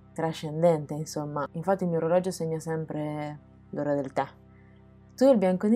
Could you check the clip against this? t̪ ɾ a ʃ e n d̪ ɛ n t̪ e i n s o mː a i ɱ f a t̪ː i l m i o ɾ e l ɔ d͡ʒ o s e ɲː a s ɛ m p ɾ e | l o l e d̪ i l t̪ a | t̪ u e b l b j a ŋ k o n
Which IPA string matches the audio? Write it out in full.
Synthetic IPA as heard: t̪ ɾ a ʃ e n d̪ ɛ n t̪ e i n s o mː a i ɱ f a t̪ː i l m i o ɾ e l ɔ d͡ʒ o s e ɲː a s ɛ m p ɾ e | l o ɾ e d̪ e l t̪ a | t̪ u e l b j a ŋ k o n